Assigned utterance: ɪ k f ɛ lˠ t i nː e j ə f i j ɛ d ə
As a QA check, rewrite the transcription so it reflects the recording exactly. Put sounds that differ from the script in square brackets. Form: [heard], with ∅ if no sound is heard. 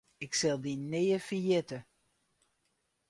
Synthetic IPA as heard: ɪ k [s] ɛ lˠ [d] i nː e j ə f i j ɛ [t] ə